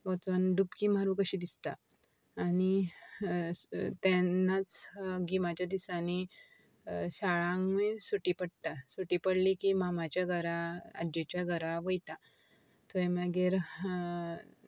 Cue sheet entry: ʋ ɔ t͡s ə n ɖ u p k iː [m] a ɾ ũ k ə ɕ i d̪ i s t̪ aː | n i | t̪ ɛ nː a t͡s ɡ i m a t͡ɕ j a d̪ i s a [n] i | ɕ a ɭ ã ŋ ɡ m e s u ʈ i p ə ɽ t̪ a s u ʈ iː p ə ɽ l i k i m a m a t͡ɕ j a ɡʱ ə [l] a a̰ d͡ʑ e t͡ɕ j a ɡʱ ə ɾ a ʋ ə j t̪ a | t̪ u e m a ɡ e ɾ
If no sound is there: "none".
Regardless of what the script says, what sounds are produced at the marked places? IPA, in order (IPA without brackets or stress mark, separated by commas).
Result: m, n, ɾ